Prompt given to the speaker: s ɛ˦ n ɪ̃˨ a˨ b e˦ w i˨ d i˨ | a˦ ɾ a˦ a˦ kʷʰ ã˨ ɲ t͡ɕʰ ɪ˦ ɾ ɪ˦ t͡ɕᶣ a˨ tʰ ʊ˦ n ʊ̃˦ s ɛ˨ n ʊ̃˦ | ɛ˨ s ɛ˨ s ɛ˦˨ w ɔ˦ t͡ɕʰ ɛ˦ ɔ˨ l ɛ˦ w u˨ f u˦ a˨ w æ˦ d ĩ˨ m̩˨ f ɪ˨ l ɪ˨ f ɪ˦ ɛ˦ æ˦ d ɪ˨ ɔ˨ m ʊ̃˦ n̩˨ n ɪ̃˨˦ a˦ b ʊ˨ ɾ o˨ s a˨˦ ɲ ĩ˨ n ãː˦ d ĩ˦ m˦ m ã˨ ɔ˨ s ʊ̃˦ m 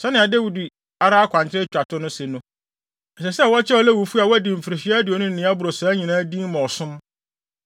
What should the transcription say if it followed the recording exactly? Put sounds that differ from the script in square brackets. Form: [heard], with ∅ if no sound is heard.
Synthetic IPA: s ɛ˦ n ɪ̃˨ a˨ [d] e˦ w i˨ d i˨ | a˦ ɾ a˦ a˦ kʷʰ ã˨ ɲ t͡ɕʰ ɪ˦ ɾ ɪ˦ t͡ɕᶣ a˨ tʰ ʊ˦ n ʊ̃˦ s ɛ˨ n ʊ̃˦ | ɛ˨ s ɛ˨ s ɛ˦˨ w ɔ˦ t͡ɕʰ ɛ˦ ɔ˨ l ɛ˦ w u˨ f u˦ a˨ w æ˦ d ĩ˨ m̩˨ f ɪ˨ [ɾ] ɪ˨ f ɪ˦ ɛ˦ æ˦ d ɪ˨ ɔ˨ [n] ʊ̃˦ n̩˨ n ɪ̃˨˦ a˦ b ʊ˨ ɾ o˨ s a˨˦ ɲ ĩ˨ n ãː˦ d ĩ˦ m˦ m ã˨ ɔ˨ s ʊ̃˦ m